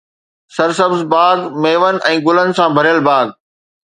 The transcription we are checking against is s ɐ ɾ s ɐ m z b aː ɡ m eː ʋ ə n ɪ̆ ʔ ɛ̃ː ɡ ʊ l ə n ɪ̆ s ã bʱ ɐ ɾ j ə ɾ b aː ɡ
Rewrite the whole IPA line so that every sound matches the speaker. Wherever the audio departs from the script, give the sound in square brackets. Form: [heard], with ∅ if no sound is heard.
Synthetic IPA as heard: s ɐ ɾ s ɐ [b] z b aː ɡ m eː ʋ ə n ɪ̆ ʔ ɛ̃ː ɡ ʊ l ə n ɪ̆ s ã bʱ ɐ ɾ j ə [l] b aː ɡ